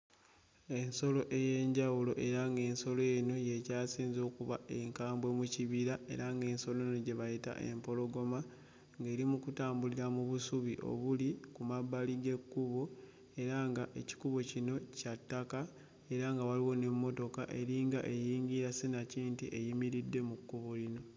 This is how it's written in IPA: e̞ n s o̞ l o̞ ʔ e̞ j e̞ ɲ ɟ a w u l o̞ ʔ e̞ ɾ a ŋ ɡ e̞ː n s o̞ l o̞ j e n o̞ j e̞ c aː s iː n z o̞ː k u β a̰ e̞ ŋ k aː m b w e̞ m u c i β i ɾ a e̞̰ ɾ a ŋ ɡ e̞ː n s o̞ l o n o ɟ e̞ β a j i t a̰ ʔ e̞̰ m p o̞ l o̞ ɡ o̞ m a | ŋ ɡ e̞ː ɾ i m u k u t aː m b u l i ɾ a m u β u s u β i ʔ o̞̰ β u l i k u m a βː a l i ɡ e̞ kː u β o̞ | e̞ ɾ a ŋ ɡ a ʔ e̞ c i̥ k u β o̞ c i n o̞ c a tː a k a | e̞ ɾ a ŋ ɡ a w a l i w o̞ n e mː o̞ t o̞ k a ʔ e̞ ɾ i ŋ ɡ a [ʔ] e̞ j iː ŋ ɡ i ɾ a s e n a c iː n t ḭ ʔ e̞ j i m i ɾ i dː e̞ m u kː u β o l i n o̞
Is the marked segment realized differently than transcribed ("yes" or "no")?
no